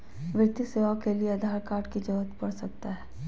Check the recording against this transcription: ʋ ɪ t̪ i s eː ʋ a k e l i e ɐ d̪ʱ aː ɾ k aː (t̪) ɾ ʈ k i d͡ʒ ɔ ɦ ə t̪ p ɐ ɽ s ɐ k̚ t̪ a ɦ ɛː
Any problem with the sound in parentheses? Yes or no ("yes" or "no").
yes